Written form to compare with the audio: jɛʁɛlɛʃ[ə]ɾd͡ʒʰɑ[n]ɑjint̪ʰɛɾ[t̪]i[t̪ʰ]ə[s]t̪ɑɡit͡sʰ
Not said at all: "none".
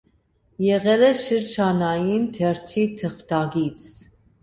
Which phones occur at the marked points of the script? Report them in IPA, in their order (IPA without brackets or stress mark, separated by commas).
ə, n, t̪ʰ, t̪ʰ, χ